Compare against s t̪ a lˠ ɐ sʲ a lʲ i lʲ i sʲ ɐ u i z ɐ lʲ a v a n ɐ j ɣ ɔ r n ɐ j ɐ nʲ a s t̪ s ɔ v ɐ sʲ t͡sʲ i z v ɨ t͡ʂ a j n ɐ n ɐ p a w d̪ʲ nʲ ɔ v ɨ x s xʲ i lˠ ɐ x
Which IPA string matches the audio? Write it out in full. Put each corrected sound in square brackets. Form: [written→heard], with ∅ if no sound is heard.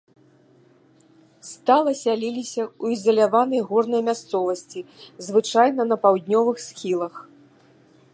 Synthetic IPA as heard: s t̪ a lˠ ɐ sʲ a lʲ i lʲ i sʲ ɐ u i z ɐ lʲ a v a n ɐ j ɣ ɔ r n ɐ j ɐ [nʲ→mʲ] a s t̪ s ɔ v ɐ sʲ t͡sʲ i z v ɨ t͡ʂ a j n ɐ n ɐ p a w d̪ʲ nʲ ɔ v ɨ x s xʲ i lˠ ɐ x